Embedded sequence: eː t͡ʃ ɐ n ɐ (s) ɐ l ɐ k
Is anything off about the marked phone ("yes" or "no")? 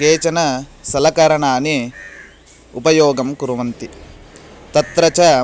no